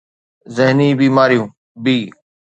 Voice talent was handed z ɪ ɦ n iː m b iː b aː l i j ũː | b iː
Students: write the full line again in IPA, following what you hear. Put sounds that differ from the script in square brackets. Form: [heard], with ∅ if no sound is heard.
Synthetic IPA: z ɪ ɦ n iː [∅] b iː [m] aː [ɾ] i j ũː | b iː

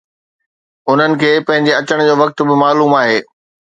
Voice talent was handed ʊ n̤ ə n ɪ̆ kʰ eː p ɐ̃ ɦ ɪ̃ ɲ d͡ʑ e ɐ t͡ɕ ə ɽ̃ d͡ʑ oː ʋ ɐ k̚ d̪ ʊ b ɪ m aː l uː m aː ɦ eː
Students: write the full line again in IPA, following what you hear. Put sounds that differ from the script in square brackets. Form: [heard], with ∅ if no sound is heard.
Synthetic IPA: ʊ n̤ ə n ɪ̆ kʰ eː p ɐ̃ ɦ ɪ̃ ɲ d͡ʑ e ɐ t͡ɕ ə ɽ̃ d͡ʑ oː ʋ ɐ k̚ [t̪] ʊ b ɪ m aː l uː m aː ɦ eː

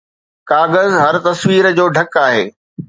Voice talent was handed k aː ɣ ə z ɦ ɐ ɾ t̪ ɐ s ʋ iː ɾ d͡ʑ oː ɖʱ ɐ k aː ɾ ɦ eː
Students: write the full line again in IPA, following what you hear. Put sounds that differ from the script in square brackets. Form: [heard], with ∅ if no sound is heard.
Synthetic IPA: k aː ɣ ə z ɦ ɐ ɾ t̪ ɐ s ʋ iː ɾ d͡ʑ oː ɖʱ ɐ k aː [∅] ɦ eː

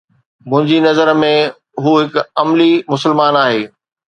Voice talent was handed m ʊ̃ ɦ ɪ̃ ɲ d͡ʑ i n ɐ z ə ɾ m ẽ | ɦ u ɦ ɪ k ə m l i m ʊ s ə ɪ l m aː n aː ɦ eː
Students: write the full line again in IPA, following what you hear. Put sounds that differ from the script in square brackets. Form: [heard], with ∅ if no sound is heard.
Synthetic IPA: m ʊ̃ ɦ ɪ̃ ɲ d͡ʑ i n ɐ z ə ɾ m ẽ | ɦ u ɦ ɪ k [ɐ] m l i m ʊ s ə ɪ l m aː n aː ɦ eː

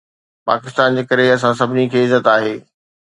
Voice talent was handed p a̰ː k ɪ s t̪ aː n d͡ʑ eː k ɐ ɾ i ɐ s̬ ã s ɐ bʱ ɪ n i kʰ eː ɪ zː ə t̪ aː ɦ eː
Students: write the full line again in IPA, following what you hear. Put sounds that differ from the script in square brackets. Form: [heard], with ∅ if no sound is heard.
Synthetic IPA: p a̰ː k ɪ s t̪ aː n d͡ʑ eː k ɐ ɾ [e] ɐ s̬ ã s ɐ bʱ ɪ n i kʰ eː ɪ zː ə t̪ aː ɦ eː

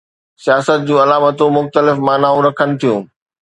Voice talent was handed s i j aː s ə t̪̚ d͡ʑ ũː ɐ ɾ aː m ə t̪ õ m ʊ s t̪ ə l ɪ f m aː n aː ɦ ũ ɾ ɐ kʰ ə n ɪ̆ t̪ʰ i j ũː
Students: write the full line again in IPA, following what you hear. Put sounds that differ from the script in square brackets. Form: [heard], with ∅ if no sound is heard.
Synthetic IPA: s i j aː s ə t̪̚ d͡ʑ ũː ɐ [l] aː m ə t̪ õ m ʊ [x] t̪ ə l ɪ f m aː n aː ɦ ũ ɾ ɐ kʰ ə n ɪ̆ t̪ʰ i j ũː

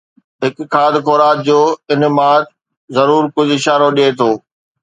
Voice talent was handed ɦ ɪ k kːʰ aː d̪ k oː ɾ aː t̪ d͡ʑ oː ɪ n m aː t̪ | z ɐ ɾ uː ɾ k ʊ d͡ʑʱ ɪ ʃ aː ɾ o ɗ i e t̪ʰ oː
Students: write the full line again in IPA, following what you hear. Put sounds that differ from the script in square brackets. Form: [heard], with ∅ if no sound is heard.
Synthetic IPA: ɦ ɪ k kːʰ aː d̪ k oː ɾ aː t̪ d͡ʑ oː ɪ n m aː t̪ | z ɐ ɾ uː ɾ k ʊ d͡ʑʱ ɪ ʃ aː ɾ o ɗ i e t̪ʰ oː

